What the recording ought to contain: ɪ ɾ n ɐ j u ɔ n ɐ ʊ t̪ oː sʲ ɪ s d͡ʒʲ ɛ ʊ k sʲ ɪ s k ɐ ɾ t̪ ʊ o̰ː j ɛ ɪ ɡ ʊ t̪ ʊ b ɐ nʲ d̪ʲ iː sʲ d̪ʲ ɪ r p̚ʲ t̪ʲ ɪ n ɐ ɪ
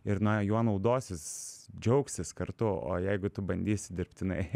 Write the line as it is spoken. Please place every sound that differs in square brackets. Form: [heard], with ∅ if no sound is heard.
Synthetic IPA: ɪ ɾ n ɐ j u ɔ n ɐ ʊ [d̪] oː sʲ ɪ s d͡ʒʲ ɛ ʊ k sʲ ɪ s k ɐ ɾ t̪ ʊ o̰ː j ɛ ɪ ɡ ʊ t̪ ʊ b ɐ nʲ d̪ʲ iː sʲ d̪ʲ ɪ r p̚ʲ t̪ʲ ɪ n ɐ ɪ